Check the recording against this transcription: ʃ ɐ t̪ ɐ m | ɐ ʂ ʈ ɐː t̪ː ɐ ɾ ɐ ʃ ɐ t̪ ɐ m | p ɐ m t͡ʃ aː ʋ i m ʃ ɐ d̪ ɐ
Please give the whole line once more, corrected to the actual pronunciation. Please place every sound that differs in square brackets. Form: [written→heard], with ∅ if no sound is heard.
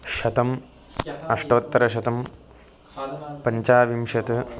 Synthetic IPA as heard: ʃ ɐ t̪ ɐ m | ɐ ʂ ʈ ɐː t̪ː ɐ ɾ ɐ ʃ ɐ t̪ ɐ m | p ɐ [m→ɲ] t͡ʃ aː ʋ i m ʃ ɐ [d̪→t̪] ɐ